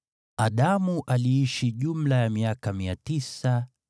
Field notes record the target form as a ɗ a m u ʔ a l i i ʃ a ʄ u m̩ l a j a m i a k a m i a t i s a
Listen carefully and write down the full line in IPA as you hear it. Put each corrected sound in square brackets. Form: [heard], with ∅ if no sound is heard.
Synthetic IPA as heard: a ɗ a m u ʔ a l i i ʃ [i] ʄ u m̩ l a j a m i a k a m i a t i s a